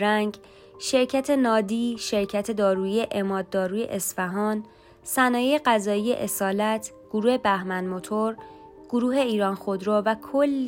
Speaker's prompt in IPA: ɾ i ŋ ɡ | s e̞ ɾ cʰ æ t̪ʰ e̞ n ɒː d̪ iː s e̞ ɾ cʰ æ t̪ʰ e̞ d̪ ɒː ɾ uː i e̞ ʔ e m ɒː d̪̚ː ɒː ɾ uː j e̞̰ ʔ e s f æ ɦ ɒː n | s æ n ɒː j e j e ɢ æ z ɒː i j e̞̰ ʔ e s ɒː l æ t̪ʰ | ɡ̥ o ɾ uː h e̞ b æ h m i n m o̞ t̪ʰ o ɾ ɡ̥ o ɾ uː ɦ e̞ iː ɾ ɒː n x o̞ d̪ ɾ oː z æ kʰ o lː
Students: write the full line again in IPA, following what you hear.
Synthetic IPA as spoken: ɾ æ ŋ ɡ | ʃ e̞ ɾ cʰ æ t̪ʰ e̞ n ɒː d̪ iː ʃ e̞ ɾ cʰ æ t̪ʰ e̞ d̪ ɒː ɾ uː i e̞ ʔ e m ɒː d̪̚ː ɒː ɾ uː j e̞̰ ʔ e s f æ ɦ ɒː n | s æ n ɒː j e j e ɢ æ z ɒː i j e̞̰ ʔ e s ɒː l æ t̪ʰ | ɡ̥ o ɾ uː h e̞ b æ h m æ n m o̞ t̪ʰ o ɾ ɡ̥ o ɾ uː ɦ e̞ iː ɾ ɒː n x o̞ d̪ ɾ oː v æ kʰ o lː